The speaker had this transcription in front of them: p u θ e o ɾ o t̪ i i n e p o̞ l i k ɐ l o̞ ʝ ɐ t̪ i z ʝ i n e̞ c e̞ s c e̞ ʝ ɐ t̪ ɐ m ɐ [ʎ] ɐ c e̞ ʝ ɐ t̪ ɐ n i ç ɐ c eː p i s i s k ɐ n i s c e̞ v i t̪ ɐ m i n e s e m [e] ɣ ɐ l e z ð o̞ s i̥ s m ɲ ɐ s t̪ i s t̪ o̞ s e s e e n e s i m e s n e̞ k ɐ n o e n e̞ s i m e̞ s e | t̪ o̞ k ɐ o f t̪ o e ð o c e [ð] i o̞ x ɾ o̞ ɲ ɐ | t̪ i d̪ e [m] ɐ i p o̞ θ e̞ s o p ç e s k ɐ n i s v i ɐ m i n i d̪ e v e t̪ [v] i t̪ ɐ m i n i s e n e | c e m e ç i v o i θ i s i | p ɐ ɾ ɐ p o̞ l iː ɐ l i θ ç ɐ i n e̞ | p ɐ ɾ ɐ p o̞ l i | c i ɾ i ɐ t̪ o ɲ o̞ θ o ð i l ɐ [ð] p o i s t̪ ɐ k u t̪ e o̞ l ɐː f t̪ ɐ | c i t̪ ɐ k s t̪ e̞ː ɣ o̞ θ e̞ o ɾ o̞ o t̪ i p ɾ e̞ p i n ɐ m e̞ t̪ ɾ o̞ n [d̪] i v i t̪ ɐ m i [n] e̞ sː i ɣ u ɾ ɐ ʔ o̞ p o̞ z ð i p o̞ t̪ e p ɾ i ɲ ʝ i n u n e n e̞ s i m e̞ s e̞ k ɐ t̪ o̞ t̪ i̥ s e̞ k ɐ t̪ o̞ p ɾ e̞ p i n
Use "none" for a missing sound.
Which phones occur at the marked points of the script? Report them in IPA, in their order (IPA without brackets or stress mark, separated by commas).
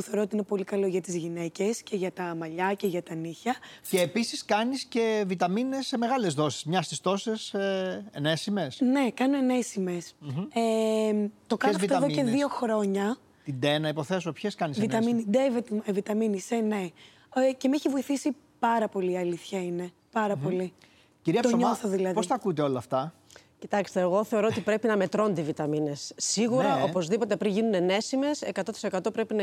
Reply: ʎ, e, ð, n, v, ð, d̪, n